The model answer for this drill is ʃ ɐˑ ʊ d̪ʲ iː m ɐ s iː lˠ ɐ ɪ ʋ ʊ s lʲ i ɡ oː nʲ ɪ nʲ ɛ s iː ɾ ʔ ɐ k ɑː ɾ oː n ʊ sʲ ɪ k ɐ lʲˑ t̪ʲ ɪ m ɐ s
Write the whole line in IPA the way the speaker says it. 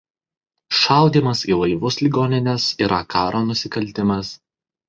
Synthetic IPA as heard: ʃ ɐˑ ʊ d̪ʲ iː m ɐ s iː lˠ ɐ ɪ ʋ ʊ s lʲ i ɡ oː nʲ ɪ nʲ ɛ s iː ɾ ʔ ɐ k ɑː ɾ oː n ʊ sʲ ɪ k ɐ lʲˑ t̪ʲ ɪ m ɐ s